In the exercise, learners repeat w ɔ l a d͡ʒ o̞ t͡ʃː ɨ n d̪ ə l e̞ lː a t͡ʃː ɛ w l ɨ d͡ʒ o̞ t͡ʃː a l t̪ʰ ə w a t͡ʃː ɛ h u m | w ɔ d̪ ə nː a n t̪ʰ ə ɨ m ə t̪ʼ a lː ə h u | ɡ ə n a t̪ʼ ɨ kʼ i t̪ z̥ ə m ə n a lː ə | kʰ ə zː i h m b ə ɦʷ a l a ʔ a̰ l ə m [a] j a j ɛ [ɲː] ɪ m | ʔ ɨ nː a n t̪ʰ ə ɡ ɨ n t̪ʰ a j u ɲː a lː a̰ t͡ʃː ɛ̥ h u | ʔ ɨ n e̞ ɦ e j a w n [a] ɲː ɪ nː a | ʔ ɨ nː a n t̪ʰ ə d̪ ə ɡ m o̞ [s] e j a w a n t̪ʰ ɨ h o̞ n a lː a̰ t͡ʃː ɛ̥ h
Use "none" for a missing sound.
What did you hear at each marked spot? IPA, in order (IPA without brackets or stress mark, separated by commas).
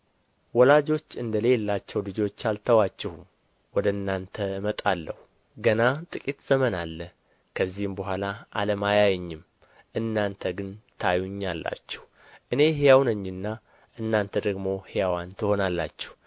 a, ɲː, ə, h